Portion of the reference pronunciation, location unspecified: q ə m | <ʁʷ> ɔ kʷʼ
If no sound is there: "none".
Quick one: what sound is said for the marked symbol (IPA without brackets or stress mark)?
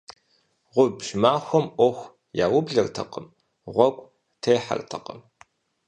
ʁʷ